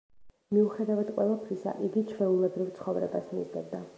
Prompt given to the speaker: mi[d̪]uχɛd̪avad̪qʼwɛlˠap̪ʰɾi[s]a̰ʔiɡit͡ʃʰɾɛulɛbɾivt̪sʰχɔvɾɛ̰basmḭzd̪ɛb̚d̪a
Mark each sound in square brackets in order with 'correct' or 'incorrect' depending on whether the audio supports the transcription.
incorrect, correct

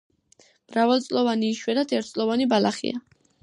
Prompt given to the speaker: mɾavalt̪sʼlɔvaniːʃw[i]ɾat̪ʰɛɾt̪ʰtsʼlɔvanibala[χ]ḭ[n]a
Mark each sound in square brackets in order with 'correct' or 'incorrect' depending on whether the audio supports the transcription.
incorrect, correct, incorrect

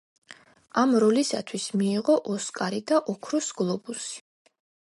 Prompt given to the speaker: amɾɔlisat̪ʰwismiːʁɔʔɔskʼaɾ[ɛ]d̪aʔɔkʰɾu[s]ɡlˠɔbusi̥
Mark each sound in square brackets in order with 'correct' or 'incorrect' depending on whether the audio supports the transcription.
incorrect, correct

